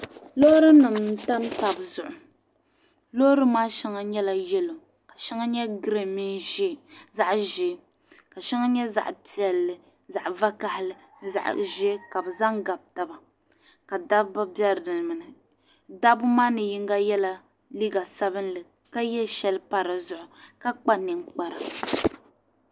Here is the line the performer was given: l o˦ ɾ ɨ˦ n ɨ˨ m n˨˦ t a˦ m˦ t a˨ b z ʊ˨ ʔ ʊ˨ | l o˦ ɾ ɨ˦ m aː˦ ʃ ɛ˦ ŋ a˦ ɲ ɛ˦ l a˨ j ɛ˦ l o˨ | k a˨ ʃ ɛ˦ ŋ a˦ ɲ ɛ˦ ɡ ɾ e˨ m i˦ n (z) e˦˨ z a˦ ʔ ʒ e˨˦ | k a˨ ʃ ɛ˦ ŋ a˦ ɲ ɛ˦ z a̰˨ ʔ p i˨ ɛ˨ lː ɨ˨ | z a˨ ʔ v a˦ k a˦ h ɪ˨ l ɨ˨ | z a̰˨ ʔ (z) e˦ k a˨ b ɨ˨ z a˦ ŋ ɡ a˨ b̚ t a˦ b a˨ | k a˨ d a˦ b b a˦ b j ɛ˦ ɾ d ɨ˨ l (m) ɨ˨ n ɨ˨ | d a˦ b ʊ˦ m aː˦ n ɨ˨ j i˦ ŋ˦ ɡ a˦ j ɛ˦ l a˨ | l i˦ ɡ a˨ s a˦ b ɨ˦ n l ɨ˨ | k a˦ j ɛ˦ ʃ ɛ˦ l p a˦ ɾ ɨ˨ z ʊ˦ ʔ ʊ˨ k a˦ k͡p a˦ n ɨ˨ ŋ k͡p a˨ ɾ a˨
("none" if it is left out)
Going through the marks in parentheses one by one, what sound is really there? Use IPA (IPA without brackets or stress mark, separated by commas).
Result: ʒ, ʒ, m